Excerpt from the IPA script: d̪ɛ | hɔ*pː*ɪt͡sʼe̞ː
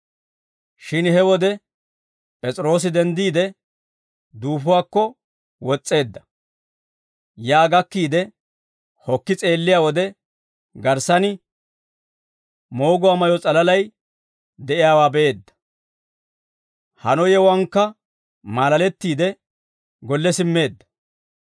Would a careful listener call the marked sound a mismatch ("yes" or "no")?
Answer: yes